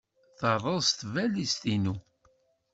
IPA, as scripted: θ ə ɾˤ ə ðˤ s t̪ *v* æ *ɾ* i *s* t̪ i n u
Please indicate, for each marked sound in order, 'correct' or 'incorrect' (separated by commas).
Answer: correct, incorrect, correct